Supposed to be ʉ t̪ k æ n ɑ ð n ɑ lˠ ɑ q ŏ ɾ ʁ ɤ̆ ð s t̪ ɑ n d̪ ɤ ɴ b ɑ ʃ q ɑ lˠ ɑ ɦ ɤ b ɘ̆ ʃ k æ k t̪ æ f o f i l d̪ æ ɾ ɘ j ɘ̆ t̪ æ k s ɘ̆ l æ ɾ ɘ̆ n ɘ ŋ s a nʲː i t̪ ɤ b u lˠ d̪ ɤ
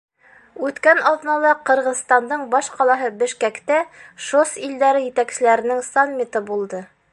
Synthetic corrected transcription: ʉ t̪ k æ n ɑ ð n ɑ lˠ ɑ q ɤ̆ ɾ ʁ ɤ̆ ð s t̪ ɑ n d̪ ɤ ɴ b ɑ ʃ q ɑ lˠ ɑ ɦ ɤ b ɘ̆ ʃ k æ k t̪ æ ʃ o s i l d̪ æ ɾ ɘ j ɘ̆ t̪ æ k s ɘ̆ l æ ɾ ɘ̆ n ɘ ŋ s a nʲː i t̪ ɤ b u lˠ d̪ ɤ

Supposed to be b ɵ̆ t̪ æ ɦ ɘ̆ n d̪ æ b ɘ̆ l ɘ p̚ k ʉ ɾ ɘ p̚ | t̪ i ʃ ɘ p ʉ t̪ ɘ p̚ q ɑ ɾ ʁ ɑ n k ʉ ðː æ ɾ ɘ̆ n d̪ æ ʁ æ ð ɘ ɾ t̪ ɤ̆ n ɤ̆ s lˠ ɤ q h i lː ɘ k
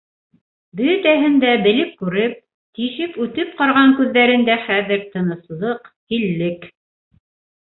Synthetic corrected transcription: b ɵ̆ t̪ æ ɦ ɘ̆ n d̪ æ b ɘ̆ l ɘ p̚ k ʉ ɾ ɘ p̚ | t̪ i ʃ ɘ p ʉ t̪ ɘ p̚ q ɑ ɾ ʁ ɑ ŋ k ʉ ðː æ ɾ ɘ̆ n d̪ æ χ æ ð ɘ ɾ t̪ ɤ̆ n ɤ̆ s lˠ ɤ q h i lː ɘ k

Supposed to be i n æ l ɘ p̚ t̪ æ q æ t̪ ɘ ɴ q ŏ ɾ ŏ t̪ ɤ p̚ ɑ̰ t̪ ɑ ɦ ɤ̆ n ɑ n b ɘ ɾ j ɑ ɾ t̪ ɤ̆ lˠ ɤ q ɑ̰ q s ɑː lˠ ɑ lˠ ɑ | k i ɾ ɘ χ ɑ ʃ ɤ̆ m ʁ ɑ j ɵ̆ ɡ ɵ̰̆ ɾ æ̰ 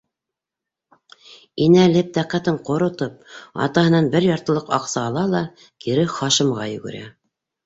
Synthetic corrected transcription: i n æ l ɘ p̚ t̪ æ q æ t̪ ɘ ɴ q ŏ ɾ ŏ t̪ ɤ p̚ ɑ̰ t̪ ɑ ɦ ɤ̆ n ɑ n b ɘ ɾ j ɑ ɾ t̪ ɤ̆ lˠ ɤ q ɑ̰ q s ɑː lˠ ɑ lˠ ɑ | k i ɾ ɘ χ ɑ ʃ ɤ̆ m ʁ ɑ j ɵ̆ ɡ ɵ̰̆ ɾ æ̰

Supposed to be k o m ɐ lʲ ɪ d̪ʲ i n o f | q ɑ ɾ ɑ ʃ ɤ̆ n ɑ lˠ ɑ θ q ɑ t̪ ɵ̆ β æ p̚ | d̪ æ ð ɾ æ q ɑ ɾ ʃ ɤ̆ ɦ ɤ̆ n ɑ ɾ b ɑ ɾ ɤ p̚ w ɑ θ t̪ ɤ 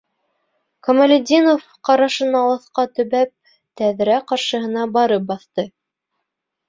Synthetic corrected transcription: k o m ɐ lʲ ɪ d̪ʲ i n o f | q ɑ ɾ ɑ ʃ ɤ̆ n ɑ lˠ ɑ θ q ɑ t̪ ɵ̆ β æ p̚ | t̪ æ ð ɾ æ q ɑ ɾ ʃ ɤ̆ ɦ ɤ̆ n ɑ b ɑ ɾ ɤ p̚ b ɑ θ t̪ ɤ

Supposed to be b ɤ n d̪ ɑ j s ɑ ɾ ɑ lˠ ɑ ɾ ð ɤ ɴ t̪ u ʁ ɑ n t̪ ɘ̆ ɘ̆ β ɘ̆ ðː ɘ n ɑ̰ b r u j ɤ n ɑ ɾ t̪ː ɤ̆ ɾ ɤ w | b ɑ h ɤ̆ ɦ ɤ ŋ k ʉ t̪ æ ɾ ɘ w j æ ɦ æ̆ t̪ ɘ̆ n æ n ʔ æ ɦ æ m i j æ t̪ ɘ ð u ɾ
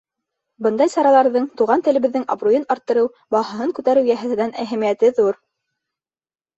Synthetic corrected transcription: b ɤ n d̪ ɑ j s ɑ ɾ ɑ lˠ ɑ ɾ ð ɤ ɴ t̪ u ʁ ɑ n t̪ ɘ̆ ɘ̆ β ɘ̆ ðː ɘ ŋ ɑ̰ b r u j ɤ n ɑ ɾ t̪ː ɤ̆ ɾ ɤ w | b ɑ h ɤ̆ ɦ ɤ ŋ k ʉ t̪ æ ɾ ɘ w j æ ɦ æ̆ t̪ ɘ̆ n æ n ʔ æ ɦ æ m i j æ t̪ ɘ ð u ɾ

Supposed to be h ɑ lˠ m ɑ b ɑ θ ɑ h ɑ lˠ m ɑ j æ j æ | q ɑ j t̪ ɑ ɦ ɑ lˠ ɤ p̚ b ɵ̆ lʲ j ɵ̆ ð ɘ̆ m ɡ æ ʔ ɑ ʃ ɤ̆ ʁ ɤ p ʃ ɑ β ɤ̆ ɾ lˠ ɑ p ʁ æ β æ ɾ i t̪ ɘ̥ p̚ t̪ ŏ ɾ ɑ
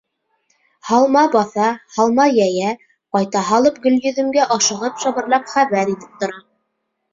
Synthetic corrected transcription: h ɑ lˠ m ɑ b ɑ θ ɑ h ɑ lˠ m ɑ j æ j æ | q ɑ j t̪ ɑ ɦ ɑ lˠ ɤ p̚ ɡ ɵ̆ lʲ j ɵ̆ ð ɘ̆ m ɡ æ ʔ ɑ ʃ ɤ̆ ʁ ɤ p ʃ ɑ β ɤ̆ ɾ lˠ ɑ p χ æ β æ ɾ i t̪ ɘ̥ p̚ t̪ ŏ ɾ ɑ

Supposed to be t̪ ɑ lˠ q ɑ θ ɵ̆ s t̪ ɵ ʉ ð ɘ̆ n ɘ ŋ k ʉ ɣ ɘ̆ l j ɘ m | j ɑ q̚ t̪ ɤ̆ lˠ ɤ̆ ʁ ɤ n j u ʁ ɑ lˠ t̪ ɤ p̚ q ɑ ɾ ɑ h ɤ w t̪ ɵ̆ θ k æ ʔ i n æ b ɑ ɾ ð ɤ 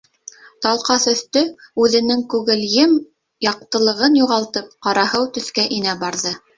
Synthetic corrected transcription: t̪ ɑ lˠ q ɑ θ ɵ̆ θ t̪ ɵ ʉ ð ɘ̆ n ɘ ŋ k ʉ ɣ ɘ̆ l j ɘ m | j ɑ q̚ t̪ ɤ̆ lˠ ɤ̆ ʁ ɤ n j u ʁ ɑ lˠ t̪ ɤ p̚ q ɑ ɾ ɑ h ɤ w t̪ ɵ̆ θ k æ ʔ i n æ b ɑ ɾ ð ɤ

